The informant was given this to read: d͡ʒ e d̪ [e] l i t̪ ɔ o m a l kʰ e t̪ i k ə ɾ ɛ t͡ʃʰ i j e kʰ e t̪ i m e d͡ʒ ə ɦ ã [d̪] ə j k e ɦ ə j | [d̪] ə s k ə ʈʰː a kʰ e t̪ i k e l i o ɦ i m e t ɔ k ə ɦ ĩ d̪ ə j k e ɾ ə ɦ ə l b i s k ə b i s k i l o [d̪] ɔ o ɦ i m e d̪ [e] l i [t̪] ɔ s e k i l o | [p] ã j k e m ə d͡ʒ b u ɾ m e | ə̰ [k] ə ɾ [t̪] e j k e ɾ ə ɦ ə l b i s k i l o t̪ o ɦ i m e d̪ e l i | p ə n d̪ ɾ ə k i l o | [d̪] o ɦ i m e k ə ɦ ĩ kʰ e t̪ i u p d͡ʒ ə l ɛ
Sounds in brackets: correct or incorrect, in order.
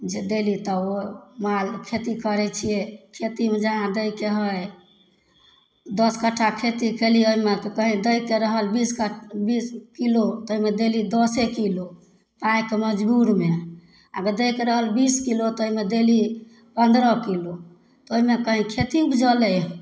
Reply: correct, correct, correct, incorrect, correct, incorrect, correct, incorrect, incorrect, incorrect

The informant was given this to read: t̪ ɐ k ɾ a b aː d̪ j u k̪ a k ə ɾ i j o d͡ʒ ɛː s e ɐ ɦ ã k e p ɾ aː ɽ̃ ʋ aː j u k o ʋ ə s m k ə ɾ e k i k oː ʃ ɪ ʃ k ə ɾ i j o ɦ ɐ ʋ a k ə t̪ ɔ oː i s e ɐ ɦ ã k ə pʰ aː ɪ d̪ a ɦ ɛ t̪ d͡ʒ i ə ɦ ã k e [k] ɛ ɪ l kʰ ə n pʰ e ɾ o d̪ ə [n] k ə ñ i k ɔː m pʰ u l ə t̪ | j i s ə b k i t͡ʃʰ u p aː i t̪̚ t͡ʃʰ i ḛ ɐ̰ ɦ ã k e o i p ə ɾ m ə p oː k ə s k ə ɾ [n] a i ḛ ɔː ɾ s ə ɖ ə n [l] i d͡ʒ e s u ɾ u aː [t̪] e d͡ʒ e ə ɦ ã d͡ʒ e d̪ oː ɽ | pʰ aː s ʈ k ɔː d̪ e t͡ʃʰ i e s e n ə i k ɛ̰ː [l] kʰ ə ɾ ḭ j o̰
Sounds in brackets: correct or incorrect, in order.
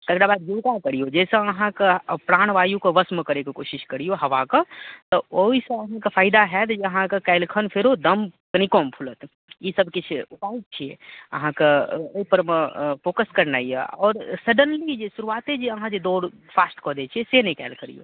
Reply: correct, incorrect, correct, correct, correct, correct

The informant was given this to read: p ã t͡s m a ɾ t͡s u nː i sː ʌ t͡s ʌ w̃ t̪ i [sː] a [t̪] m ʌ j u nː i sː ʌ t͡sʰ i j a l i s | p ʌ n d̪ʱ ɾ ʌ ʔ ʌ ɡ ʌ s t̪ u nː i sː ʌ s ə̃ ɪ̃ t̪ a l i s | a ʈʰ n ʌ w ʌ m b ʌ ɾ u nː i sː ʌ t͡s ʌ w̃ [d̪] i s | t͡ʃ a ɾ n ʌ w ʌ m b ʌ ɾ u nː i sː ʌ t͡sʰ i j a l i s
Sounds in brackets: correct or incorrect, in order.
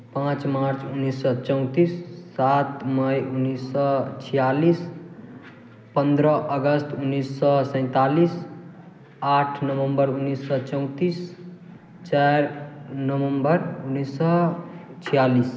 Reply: correct, correct, incorrect

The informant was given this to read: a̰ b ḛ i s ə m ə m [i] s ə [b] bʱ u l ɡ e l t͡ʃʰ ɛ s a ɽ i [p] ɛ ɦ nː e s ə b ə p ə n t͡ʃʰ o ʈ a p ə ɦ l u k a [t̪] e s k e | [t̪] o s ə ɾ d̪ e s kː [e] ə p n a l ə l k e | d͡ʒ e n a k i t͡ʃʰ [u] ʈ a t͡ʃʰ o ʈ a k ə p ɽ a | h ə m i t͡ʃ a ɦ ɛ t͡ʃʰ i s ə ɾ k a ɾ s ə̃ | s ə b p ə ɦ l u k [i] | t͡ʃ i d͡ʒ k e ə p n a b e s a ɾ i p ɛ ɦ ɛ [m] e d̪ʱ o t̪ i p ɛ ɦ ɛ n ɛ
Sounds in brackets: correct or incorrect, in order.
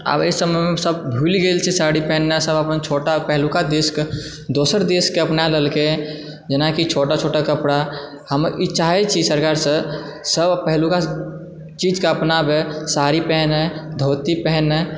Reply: incorrect, correct, correct, incorrect, incorrect, correct, incorrect, incorrect, incorrect

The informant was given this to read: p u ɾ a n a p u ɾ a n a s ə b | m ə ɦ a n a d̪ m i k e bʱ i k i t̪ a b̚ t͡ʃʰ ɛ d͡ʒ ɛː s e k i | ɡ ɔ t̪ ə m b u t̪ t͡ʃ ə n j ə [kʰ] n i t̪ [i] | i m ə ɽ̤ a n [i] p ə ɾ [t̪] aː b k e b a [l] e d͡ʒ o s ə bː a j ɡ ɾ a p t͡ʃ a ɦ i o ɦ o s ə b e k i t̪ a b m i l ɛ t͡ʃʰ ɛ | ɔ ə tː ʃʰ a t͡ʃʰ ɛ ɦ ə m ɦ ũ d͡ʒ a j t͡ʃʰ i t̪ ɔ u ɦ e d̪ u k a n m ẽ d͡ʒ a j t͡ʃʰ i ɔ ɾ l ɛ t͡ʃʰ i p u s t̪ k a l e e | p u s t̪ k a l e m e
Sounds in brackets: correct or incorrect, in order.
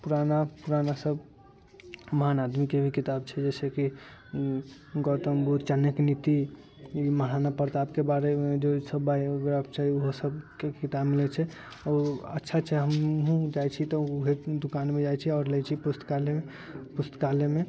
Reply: incorrect, correct, incorrect, correct, incorrect

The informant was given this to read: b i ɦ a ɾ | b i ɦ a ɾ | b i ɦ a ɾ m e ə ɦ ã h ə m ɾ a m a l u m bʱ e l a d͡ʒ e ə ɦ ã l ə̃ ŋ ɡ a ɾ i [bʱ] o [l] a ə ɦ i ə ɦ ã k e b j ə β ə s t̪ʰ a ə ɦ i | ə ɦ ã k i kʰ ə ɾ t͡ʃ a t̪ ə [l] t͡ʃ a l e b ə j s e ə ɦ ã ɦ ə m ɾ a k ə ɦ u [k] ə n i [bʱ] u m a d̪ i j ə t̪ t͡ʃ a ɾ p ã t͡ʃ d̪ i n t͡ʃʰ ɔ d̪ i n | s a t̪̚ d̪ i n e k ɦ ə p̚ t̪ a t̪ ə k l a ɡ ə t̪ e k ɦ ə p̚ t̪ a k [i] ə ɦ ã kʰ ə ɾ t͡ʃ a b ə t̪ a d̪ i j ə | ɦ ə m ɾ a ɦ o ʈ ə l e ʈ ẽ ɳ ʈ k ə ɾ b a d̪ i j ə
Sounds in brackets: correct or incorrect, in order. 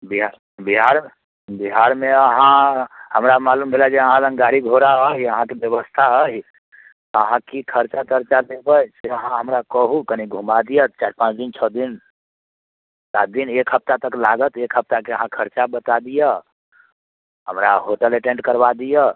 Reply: incorrect, incorrect, incorrect, correct, incorrect, incorrect

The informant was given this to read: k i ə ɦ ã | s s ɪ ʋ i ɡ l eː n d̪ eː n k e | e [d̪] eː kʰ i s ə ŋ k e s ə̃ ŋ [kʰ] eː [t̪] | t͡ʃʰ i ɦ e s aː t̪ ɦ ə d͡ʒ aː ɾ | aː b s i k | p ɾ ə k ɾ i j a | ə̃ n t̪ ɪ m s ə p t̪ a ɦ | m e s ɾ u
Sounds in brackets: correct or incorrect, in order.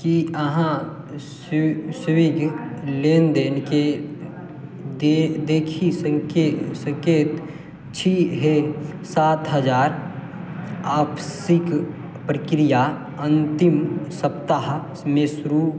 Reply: correct, incorrect, correct

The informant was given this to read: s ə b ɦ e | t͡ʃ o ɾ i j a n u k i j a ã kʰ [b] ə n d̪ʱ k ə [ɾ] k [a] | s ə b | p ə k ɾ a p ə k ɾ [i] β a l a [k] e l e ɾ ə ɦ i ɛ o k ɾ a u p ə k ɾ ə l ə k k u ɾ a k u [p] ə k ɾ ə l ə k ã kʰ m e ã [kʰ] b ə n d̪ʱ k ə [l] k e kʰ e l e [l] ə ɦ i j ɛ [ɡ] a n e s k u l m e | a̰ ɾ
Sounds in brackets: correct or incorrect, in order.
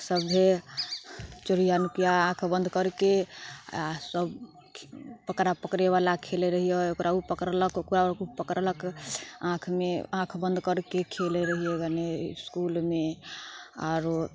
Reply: correct, correct, incorrect, incorrect, incorrect, correct, correct, incorrect, incorrect, correct

